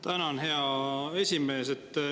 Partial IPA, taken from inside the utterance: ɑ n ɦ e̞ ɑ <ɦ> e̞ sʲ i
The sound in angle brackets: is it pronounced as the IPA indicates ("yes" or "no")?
no